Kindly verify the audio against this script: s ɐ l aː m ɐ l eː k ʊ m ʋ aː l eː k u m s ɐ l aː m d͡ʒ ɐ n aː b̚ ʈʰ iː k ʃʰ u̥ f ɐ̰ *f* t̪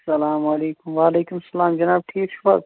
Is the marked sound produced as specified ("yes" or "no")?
no